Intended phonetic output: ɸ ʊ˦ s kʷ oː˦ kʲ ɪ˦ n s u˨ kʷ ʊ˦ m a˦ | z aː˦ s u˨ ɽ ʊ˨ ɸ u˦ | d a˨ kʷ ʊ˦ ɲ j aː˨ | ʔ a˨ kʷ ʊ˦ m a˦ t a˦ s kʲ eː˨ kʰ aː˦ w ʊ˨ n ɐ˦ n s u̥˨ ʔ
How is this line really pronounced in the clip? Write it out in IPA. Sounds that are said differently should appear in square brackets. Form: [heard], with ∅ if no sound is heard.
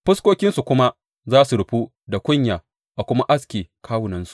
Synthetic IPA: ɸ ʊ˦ s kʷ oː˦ kʲ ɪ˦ n s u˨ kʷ ʊ˦ m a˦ | z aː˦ s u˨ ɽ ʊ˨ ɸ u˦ | d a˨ kʷ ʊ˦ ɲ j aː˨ | ʔ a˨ kʷ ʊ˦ m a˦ [ʔ] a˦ s kʲ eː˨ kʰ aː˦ w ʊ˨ n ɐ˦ n s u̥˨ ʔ